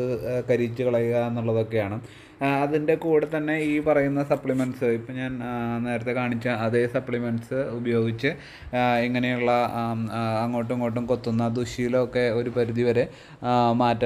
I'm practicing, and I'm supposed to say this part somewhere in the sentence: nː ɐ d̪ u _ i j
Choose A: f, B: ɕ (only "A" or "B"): B